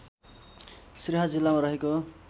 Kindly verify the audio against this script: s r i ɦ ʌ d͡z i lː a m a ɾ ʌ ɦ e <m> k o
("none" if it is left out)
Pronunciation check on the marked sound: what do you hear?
none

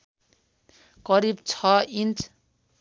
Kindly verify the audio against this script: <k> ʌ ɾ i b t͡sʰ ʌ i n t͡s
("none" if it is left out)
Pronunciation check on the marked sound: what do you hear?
k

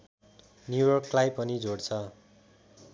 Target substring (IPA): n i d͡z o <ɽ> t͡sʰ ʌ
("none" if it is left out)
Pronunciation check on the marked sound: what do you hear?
ɽ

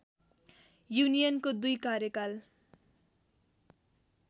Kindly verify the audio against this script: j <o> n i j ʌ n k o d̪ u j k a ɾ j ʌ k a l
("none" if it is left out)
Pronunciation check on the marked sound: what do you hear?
u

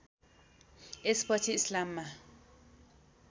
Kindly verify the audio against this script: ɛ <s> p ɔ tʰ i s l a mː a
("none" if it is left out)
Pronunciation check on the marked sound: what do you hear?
s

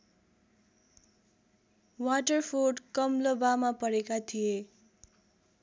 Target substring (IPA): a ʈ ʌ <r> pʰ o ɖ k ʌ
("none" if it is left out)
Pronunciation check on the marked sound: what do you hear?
r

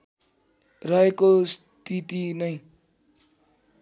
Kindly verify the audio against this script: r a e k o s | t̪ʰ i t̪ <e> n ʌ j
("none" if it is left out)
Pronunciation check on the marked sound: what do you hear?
i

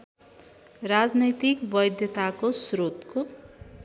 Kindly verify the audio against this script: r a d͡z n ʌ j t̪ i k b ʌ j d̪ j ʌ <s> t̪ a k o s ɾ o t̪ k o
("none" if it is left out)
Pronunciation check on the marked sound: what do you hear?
none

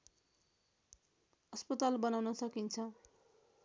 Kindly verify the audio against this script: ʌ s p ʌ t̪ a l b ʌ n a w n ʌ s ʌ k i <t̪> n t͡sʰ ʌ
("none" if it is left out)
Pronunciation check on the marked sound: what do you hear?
none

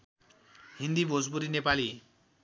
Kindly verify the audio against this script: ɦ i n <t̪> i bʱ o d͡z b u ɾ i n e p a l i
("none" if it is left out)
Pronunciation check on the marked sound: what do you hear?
d̪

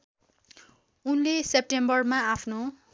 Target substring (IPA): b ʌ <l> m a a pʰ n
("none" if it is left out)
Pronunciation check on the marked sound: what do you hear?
r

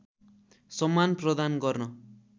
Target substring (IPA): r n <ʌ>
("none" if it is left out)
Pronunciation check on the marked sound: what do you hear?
ʌ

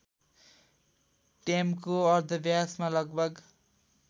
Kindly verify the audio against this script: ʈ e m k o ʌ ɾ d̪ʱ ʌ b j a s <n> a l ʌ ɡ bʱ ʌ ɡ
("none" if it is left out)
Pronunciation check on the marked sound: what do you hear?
m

